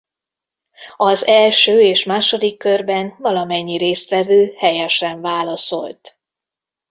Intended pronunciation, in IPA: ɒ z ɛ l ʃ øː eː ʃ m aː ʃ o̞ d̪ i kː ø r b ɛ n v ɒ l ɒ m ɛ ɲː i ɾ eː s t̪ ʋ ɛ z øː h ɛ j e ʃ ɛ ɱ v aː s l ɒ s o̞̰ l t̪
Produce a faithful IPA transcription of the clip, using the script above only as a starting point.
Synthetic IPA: ɒ z ɛ l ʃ øː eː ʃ m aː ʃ o̞ d̪ i kː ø r b ɛ n v ɒ l ɒ m ɛ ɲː i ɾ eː s t̪ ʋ ɛ v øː h ɛ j ɛ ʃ ɛ ɱ v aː l ɒ s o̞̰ l t̪